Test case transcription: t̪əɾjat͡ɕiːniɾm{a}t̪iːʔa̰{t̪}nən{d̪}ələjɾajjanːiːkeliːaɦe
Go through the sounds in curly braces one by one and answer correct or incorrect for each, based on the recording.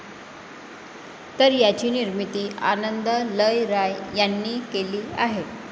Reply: incorrect, incorrect, correct

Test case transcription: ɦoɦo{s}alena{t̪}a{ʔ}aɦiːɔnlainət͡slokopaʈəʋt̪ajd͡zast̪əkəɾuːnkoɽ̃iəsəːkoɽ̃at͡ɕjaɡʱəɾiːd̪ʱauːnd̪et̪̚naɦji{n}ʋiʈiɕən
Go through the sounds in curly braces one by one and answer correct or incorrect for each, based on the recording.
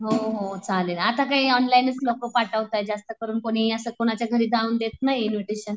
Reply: incorrect, correct, incorrect, correct

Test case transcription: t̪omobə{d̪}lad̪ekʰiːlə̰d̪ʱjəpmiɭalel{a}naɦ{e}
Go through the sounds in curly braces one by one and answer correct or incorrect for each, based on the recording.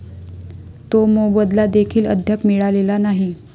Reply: correct, correct, incorrect

